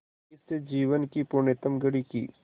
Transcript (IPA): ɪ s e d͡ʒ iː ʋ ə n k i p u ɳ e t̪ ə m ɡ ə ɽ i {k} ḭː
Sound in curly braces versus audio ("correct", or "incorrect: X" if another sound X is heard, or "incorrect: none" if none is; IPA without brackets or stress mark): correct